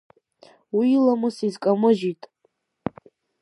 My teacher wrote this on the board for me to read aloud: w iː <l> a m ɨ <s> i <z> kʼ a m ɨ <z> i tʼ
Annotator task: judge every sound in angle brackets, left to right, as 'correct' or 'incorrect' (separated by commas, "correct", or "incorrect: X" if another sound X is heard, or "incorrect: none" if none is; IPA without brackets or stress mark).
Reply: correct, correct, correct, incorrect: ʒ